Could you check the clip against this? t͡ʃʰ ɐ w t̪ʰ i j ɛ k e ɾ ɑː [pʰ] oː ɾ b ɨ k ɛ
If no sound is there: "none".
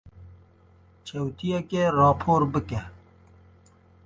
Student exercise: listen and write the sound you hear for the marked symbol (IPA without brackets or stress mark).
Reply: pʰ